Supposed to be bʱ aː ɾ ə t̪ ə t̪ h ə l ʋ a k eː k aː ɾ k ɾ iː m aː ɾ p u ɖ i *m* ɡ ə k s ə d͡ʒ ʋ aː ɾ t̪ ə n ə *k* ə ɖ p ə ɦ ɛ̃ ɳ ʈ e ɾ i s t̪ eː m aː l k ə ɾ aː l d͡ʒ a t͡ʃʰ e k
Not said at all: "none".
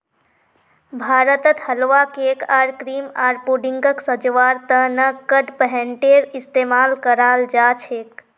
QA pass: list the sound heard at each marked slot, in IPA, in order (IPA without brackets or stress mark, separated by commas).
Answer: ŋ, k